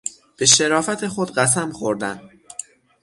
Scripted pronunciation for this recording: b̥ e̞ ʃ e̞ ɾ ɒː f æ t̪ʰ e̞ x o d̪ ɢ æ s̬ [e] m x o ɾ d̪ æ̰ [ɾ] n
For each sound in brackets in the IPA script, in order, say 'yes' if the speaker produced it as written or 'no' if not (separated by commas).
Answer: no, no